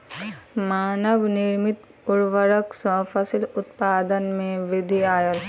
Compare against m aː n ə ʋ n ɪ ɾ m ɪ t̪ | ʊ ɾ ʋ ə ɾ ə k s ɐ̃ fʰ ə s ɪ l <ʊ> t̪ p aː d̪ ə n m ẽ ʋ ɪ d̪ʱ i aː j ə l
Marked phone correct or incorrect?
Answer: correct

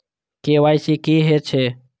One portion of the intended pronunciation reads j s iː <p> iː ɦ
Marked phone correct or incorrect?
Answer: incorrect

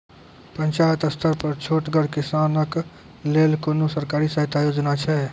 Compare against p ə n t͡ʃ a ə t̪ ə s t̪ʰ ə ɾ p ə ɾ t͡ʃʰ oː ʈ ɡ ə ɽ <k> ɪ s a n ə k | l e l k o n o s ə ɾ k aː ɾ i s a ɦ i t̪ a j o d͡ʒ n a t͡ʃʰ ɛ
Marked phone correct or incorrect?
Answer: correct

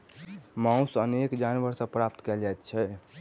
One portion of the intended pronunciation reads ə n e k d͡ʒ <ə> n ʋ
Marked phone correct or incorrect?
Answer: incorrect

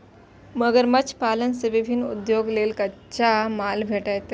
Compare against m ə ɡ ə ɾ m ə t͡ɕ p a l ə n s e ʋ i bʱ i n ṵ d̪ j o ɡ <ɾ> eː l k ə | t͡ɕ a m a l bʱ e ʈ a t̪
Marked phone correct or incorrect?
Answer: incorrect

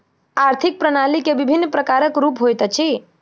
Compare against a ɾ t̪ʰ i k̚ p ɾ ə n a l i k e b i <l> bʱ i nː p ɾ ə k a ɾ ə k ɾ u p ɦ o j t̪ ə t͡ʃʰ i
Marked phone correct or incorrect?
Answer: incorrect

